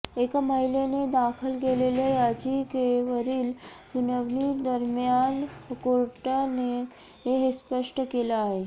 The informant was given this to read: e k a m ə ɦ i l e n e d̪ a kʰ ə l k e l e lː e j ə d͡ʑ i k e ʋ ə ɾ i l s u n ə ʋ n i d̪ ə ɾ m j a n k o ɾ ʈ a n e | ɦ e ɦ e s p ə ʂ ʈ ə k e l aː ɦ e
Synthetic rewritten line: e k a m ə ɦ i l e n e d̪ a kʰ ə l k e l e l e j a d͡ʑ i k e ʋ ə ɾ iː l s u n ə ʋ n i d̪ ə ɾ m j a n k o ɾ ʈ a n e | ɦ e ɦ e s p ə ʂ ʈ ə k e l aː ɦ e